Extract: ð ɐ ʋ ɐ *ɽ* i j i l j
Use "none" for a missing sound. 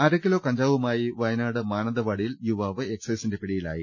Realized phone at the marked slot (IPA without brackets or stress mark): ɽ